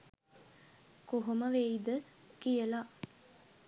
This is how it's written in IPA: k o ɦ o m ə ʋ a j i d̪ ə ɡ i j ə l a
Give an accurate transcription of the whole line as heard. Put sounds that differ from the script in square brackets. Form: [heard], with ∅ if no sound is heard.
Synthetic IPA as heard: k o ɦ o m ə ʋ [e] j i d̪ ə [k] i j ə l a